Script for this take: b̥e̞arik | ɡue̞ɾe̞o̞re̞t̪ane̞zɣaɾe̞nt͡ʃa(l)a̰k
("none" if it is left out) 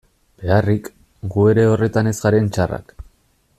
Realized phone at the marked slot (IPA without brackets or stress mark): r